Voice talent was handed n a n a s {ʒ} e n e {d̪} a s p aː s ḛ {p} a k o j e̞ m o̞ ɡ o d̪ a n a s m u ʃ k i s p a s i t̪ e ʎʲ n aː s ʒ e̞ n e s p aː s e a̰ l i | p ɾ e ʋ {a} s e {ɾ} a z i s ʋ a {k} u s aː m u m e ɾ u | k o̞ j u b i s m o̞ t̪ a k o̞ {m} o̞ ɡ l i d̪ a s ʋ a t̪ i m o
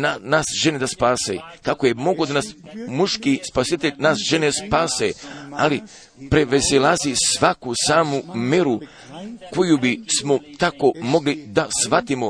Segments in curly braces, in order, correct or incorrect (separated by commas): correct, correct, incorrect, incorrect, incorrect, correct, correct